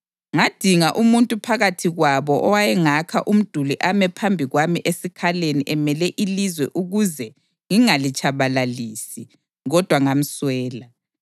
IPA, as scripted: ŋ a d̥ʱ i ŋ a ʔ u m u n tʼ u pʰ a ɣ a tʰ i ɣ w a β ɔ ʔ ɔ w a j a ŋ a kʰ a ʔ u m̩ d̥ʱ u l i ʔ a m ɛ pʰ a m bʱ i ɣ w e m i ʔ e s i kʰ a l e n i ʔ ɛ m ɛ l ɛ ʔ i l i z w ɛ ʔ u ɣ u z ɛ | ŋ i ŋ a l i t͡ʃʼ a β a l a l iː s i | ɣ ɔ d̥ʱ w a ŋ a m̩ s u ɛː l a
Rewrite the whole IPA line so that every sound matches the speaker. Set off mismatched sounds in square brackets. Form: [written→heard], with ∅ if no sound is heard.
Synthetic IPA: ŋ a d̥ʱ i ŋ a ʔ u m u n tʼ u pʰ a ɣ a tʰ i ɣ w a β ɔ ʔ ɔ w a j [a→ɛ] ŋ a kʰ a ʔ u m̩ d̥ʱ u l i ʔ a m ɛ pʰ a m bʱ i ɣ w [e→a] m i ʔ e s i kʰ a l e n i ʔ ɛ m ɛ l ɛ ʔ i l i z w ɛ ʔ u ɣ u z ɛ | ŋ i ŋ a l i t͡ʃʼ a β a l a l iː s i | ɣ ɔ d̥ʱ w a ŋ a m̩ s [u→w] ɛː l a